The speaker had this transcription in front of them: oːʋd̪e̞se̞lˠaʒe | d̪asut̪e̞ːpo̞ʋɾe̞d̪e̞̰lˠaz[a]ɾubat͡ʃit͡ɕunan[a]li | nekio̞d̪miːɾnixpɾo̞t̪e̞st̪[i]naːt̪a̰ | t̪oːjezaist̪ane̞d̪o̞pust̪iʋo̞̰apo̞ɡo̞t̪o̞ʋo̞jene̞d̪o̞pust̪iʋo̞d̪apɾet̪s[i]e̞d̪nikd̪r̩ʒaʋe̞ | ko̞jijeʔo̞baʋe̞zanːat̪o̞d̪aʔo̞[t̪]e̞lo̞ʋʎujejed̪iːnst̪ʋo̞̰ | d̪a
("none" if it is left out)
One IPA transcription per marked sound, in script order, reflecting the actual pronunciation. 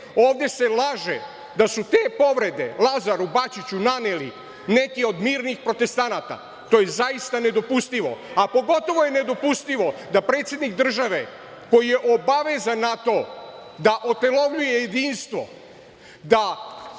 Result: a, e, a, j, t̪

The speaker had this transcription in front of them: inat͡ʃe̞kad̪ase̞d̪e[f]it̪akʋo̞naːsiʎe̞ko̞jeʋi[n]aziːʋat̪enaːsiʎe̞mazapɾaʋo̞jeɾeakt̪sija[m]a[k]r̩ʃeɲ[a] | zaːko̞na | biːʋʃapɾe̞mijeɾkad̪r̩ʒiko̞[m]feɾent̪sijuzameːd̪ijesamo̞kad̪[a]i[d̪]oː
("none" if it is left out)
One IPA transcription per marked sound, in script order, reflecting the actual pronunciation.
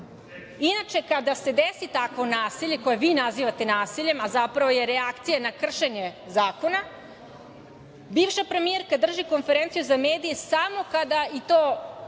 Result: s, n, n, k, e, n, a, t̪

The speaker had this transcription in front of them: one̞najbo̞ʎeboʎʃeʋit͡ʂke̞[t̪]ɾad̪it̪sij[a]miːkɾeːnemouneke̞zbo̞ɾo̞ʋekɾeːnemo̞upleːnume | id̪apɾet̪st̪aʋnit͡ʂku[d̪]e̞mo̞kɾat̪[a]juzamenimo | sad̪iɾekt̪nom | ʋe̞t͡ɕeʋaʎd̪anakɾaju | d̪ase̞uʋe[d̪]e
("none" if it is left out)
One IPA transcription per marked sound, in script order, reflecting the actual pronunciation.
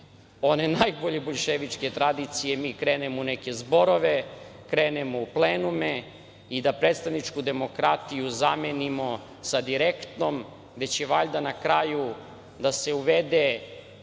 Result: t̪, e, d̪, i, d̪

